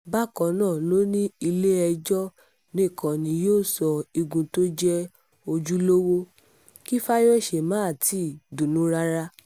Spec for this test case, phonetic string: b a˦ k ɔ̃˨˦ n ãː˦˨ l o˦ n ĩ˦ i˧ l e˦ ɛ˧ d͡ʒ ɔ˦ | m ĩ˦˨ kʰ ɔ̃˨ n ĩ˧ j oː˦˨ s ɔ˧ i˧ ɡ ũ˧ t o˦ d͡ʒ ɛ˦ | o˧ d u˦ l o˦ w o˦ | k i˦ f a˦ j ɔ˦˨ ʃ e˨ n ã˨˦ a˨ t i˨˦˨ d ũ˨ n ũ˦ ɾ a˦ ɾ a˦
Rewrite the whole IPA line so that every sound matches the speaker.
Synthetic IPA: b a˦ k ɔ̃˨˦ n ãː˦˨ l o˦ n ĩ˦ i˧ l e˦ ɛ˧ d͡ʒ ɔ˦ | n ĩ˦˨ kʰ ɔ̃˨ n ĩ˧ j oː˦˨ s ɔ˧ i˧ ɡ ũ˧ t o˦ d͡ʒ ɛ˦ | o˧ d͡ʒ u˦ l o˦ w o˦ | k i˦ f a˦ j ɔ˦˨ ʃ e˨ m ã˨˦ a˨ t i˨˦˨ d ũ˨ n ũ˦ ɾ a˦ ɾ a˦